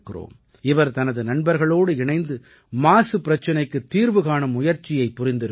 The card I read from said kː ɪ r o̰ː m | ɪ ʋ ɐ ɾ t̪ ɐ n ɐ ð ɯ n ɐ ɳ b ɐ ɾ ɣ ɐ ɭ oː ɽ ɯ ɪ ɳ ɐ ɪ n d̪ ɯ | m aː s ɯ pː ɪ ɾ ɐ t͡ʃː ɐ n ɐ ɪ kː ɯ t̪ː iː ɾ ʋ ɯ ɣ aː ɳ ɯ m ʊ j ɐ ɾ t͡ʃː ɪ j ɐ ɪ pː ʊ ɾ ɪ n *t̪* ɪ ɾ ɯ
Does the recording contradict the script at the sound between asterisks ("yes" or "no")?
yes